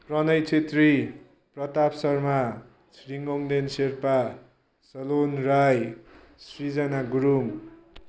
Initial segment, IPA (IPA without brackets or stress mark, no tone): p